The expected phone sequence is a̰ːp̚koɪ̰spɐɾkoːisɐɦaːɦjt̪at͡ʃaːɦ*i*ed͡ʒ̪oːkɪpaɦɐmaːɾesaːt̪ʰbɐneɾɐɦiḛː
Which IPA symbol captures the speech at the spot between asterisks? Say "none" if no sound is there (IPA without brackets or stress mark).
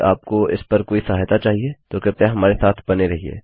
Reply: i